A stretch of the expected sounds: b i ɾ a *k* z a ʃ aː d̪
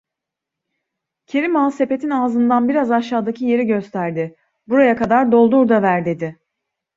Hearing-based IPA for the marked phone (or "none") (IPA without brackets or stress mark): none